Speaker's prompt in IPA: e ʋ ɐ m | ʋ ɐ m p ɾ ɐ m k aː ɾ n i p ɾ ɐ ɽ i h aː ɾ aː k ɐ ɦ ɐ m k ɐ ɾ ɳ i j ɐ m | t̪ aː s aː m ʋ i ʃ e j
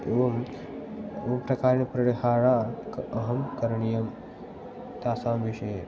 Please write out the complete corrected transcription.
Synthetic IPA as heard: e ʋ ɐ m | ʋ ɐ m p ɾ ɐ k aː ɾ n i p ɾ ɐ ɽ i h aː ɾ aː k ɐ ɦ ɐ m k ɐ ɾ ɳ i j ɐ m | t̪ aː s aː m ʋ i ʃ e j